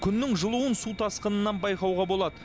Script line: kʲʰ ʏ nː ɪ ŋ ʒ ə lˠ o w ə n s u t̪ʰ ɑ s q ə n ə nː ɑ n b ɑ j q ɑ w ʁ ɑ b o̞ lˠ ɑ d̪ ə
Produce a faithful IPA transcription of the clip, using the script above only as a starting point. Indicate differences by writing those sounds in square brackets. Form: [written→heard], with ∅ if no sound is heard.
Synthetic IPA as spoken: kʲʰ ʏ nː ɪ ŋ ʒ ə lˠ [o→u] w ə n s u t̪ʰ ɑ s q ə n ə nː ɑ n b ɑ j q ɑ w ʁ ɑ b o̞ lˠ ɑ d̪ ə